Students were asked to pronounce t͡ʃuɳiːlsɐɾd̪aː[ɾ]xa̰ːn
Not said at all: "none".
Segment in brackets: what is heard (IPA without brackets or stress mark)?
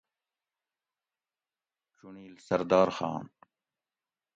ɾ